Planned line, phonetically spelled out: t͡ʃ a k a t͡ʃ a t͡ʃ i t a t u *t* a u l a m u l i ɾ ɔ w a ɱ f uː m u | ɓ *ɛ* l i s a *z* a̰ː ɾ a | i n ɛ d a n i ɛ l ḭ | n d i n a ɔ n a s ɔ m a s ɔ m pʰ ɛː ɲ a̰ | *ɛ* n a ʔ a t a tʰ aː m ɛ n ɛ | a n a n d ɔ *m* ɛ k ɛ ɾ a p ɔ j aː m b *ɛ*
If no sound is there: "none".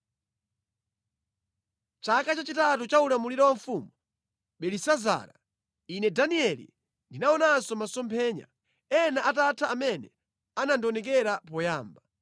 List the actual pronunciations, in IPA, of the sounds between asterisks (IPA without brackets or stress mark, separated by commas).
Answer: t͡ʃ, ɛ, z, ɛ, n, a